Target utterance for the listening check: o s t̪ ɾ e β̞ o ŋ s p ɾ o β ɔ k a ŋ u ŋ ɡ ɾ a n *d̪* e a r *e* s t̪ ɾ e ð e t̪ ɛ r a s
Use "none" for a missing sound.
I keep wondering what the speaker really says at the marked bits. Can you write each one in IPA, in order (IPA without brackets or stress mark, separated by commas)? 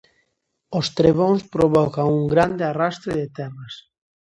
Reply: d̪, a